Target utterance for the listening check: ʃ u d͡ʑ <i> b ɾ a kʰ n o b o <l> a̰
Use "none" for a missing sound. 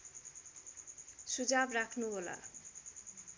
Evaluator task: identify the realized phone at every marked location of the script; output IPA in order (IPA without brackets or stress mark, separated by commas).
a, l